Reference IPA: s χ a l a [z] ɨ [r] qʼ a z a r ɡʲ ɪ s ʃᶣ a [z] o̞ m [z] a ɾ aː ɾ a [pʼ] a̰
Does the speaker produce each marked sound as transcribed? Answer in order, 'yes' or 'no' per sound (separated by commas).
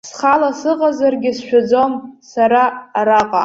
no, no, no, no, no